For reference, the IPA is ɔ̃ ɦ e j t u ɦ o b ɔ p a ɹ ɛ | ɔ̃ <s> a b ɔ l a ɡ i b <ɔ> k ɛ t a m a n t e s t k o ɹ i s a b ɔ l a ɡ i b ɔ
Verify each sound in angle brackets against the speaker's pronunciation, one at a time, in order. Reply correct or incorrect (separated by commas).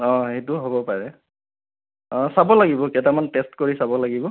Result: correct, correct